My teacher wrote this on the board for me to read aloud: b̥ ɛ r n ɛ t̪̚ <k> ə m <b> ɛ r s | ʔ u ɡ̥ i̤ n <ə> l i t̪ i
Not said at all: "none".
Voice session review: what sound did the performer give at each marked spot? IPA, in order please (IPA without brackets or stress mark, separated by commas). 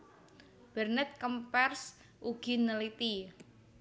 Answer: k, p, ə